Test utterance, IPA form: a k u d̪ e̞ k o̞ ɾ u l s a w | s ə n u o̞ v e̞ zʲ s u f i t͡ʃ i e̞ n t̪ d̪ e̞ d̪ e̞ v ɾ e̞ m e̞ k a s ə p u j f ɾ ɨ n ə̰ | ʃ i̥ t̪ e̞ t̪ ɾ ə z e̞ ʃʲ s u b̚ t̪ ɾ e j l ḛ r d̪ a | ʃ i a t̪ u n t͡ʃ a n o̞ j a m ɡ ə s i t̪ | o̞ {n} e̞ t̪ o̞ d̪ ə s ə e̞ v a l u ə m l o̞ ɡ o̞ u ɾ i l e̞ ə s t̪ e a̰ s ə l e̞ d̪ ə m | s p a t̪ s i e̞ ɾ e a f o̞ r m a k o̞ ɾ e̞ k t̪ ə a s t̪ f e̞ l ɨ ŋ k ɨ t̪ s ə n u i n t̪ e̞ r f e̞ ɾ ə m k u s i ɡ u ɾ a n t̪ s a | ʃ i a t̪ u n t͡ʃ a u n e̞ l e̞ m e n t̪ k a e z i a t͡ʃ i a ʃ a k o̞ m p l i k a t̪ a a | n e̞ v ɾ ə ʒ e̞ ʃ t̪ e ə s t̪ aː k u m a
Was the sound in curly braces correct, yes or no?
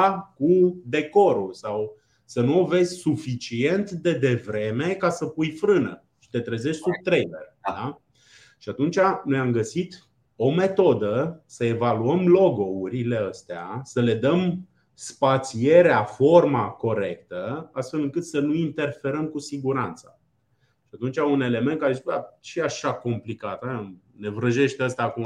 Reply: no